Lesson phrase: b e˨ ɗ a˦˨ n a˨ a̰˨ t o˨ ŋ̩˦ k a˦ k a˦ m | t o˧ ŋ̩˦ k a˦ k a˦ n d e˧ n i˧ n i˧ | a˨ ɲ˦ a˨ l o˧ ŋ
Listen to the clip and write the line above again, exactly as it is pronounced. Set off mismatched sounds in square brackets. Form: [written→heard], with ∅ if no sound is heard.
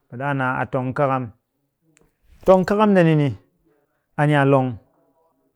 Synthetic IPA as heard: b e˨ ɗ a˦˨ n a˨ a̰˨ t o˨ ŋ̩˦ k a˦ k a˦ m | t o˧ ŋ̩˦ k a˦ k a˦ [n→m] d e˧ n i˧ n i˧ | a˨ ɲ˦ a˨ l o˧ ŋ